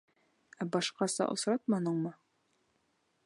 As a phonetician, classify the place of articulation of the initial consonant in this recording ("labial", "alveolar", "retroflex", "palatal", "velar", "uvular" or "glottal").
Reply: labial